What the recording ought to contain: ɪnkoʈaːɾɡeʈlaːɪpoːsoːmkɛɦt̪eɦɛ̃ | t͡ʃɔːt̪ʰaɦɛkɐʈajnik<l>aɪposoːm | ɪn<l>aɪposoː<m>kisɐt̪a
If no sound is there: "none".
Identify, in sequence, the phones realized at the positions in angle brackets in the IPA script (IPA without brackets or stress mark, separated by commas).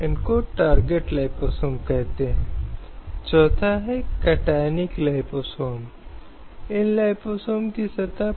l, l, m